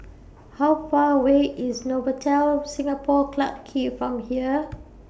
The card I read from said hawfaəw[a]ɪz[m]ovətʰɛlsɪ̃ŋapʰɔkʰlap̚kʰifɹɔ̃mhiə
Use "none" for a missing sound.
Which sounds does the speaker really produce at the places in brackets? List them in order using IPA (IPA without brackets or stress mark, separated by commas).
e, n